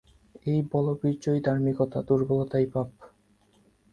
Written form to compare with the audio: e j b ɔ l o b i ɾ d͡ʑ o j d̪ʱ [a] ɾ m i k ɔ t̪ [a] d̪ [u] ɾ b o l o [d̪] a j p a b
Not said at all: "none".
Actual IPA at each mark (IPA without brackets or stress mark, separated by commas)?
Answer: a, a, u, t̪